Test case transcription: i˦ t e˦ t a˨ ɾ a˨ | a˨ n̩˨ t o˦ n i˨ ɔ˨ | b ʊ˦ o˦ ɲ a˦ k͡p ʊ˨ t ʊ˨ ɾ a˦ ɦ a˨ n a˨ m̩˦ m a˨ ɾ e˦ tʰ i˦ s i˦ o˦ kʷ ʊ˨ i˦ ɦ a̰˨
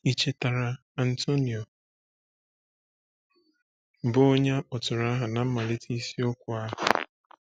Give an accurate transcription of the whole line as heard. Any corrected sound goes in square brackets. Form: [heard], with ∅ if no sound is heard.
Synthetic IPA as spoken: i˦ [t͡ʃ] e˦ t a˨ ɾ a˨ | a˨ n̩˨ t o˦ n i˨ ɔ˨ | b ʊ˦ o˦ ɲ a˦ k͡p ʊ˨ t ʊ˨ ɾ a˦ ɦ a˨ n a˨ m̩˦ m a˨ [l] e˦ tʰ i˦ s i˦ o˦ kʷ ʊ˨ [a˦] ɦ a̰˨